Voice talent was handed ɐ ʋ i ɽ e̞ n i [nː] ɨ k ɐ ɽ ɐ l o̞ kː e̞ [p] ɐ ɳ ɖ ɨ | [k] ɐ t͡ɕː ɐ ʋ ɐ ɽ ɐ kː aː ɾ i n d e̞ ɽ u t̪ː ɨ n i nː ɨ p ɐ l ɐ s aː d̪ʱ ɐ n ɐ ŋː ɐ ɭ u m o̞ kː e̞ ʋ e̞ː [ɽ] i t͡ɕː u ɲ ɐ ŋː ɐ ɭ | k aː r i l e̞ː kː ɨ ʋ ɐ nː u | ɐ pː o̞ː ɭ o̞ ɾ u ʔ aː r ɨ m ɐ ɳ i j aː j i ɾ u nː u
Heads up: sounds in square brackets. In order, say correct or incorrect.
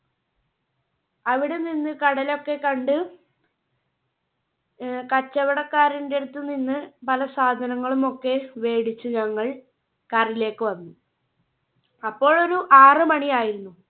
correct, incorrect: k, correct, correct

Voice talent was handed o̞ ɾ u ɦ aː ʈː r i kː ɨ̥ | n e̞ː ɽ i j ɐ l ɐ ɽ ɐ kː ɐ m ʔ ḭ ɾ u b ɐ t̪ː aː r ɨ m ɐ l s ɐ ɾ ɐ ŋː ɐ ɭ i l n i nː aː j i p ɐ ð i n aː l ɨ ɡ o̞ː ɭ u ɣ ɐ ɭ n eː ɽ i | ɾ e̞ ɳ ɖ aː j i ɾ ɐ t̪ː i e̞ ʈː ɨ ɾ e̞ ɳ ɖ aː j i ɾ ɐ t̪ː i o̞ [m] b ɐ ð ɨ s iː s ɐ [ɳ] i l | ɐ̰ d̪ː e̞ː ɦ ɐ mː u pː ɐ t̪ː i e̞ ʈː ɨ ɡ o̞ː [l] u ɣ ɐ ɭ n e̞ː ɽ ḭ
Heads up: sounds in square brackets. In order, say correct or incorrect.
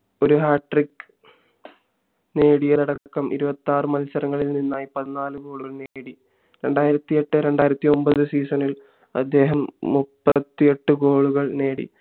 correct, incorrect: n, incorrect: ɭ

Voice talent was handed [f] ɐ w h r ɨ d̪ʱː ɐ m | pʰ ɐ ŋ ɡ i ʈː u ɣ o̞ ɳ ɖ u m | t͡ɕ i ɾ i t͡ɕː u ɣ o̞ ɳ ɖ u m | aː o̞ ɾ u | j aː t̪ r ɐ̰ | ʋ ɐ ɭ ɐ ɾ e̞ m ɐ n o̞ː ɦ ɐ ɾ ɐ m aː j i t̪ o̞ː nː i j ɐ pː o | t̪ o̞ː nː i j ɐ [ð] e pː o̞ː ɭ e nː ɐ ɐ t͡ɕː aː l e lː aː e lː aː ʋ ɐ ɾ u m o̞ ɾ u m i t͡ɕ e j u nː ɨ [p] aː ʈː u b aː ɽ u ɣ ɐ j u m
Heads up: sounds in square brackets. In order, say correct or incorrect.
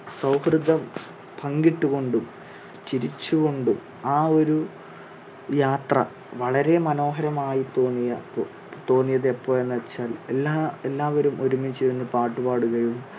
incorrect: s, correct, correct

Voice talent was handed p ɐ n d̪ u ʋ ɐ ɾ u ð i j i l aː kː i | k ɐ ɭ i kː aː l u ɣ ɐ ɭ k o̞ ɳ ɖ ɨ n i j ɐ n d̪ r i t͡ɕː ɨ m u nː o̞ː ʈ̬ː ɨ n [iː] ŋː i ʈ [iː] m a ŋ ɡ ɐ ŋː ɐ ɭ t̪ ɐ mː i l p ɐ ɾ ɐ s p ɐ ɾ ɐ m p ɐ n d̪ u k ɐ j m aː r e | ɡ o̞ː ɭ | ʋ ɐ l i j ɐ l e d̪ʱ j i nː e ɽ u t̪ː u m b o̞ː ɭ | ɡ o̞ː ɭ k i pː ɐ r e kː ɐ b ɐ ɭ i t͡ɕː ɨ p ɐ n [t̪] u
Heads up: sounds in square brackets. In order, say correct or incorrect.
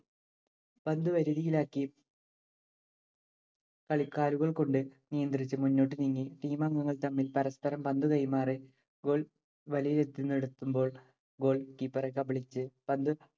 incorrect: i, correct, incorrect: d̪

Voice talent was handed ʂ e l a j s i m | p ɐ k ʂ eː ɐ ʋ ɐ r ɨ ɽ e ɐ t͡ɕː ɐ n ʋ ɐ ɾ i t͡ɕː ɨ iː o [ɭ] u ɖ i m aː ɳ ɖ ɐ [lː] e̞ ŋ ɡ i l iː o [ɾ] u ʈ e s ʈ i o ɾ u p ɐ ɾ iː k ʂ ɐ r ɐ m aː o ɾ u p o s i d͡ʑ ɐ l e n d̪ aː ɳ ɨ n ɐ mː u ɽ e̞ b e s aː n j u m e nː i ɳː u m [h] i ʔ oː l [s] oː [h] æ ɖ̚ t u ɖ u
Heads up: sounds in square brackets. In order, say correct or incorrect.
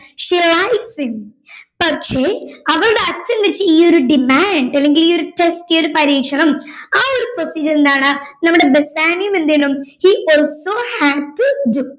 incorrect: ɾ, correct, correct, correct, correct, correct

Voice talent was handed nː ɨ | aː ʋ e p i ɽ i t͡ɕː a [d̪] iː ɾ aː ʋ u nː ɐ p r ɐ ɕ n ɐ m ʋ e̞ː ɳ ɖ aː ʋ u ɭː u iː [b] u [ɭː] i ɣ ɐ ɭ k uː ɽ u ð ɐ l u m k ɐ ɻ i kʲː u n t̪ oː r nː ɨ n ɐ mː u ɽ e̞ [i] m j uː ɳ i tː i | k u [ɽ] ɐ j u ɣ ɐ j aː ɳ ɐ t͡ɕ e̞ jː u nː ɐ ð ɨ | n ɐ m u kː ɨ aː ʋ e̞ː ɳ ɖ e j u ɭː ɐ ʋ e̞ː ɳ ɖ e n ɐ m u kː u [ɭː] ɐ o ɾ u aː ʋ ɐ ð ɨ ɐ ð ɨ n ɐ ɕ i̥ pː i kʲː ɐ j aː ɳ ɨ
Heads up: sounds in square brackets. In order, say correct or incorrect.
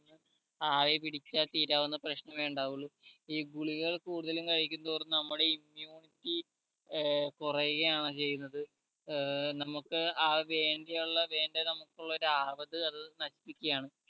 incorrect: t̪, incorrect: ɡ, incorrect: ɭ, correct, incorrect: r, correct

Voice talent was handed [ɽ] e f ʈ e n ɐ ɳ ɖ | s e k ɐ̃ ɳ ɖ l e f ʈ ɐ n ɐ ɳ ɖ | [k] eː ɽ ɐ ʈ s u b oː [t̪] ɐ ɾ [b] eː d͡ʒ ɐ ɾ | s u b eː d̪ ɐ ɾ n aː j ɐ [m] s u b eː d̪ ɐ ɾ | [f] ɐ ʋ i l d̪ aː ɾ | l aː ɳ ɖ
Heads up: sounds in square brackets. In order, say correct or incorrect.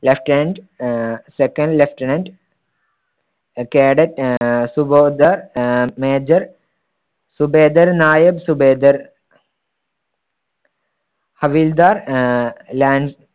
incorrect: l, correct, incorrect: d̪, incorrect: m, incorrect: b, incorrect: h

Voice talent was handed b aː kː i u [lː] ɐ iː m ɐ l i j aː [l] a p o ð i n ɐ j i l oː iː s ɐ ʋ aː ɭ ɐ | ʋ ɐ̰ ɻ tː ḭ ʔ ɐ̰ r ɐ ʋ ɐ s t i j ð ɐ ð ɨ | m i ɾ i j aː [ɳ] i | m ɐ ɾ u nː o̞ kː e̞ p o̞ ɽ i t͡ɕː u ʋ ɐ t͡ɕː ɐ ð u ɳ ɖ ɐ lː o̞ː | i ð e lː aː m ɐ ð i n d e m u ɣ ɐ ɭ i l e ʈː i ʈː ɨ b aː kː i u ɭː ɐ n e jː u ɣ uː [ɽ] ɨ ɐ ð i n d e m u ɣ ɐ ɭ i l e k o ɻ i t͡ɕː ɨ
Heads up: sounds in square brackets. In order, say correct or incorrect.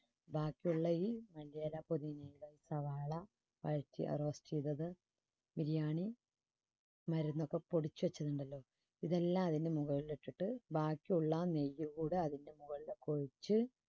incorrect: ɭː, correct, correct, correct

